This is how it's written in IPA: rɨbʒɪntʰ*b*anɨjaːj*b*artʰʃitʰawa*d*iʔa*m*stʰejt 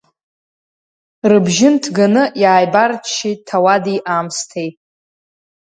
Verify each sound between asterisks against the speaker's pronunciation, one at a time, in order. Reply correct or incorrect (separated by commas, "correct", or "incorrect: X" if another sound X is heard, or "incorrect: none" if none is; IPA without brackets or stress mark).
incorrect: ɡ, correct, correct, correct